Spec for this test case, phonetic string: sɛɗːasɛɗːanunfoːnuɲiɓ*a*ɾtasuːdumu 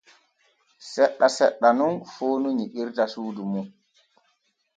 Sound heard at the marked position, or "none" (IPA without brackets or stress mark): i